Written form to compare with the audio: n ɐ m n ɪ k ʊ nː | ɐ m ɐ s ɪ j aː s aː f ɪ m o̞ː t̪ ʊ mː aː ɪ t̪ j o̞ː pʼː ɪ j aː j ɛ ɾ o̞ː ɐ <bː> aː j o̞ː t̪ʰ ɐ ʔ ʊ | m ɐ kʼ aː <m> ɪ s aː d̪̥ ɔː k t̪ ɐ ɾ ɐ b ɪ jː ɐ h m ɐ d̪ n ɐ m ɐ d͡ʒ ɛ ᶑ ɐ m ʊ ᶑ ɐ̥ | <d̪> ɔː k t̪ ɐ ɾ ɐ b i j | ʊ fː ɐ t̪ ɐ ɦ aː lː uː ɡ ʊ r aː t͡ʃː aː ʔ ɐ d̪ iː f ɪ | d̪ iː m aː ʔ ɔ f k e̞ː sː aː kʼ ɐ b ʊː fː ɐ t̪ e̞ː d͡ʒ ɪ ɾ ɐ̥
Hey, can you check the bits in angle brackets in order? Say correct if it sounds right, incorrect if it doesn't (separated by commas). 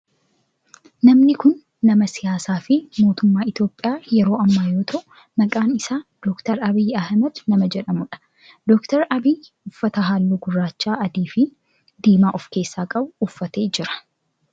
incorrect, incorrect, correct